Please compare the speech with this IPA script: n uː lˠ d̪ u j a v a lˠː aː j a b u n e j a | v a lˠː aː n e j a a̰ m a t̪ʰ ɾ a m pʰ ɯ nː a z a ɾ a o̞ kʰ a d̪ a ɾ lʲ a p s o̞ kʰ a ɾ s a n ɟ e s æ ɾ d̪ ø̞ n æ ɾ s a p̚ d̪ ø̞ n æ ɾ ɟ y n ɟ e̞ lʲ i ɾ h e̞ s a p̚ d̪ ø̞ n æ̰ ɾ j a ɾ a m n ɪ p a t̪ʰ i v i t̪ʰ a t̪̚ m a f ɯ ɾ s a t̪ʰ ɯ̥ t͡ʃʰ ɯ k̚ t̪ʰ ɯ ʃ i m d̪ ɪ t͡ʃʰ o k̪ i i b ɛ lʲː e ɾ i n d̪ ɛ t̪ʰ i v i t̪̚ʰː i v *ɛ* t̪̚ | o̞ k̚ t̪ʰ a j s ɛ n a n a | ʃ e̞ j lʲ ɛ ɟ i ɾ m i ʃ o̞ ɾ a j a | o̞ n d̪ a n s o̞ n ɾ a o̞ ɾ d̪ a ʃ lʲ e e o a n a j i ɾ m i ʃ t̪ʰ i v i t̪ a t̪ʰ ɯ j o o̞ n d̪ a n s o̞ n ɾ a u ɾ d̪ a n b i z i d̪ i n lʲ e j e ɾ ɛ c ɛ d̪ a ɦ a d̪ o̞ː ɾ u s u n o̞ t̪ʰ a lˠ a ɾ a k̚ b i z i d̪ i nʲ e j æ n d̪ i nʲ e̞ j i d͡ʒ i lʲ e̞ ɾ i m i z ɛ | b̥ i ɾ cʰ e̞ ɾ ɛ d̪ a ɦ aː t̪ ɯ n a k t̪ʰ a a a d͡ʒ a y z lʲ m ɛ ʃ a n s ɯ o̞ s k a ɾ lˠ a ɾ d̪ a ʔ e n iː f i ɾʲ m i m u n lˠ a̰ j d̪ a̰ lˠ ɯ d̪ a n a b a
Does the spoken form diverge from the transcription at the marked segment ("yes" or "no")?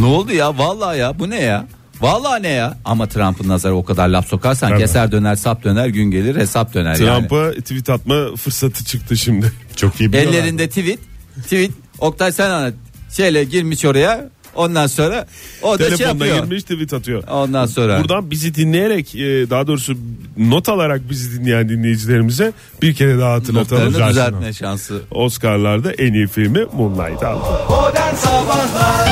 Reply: yes